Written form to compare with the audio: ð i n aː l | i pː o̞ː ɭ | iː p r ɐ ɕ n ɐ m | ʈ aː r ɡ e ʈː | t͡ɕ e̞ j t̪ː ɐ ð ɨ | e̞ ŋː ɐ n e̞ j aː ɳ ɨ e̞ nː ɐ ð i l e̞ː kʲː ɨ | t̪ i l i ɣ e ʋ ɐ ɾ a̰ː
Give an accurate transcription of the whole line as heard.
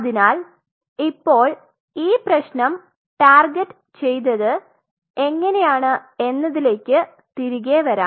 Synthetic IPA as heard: ð i n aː l | i pː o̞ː ɭ | iː p r ɐ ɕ n ɐ m | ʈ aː r ɡ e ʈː | t͡ɕ e̞ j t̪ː ɐ ð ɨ | e̞ ŋː ɐ n e̞ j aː ɳ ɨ e̞ nː ɐ ð i l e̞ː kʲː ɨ | t̪ i ɾ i ɣ e ʋ ɐ ɾ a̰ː